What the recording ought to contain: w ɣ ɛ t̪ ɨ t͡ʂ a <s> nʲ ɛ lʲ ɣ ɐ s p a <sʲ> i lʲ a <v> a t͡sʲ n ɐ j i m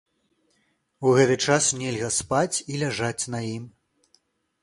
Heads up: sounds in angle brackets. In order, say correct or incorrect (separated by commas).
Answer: correct, incorrect, incorrect